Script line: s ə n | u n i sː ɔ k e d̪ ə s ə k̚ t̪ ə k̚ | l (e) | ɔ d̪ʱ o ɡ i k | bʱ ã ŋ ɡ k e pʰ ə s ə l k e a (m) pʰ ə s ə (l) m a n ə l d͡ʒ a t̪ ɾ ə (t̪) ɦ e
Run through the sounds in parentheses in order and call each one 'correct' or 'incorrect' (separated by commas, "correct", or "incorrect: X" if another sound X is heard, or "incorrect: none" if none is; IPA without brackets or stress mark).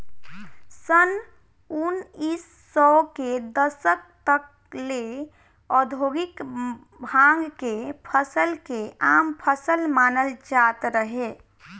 correct, correct, correct, incorrect: none